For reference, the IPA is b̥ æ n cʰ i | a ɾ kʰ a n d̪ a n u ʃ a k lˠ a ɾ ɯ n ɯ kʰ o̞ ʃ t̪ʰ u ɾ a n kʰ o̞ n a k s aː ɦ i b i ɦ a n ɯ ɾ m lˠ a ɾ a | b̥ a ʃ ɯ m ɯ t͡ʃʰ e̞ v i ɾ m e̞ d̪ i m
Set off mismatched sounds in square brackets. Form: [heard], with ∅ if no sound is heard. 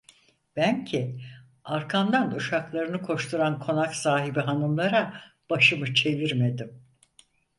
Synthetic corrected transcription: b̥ æ n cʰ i | a ɾ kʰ a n d̪ a n u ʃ a k lˠ a ɾ ɯ n ɯ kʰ o̞ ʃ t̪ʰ u ɾ a n kʰ o̞ n a k s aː ɦ i b i ɦ a n ɯ [∅] m lˠ a ɾ a | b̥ a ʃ ɯ m ɯ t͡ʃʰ e̞ v i ɾ m e̞ d̪ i m